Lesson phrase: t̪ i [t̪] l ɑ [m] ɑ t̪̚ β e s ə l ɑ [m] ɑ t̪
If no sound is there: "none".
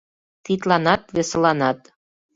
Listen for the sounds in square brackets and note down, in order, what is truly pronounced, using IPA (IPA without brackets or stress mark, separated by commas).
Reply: t̪, n, n